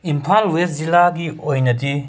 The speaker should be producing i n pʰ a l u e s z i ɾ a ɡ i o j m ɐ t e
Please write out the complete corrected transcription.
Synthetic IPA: i m pʰ a l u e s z i l a ɡ i o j n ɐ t i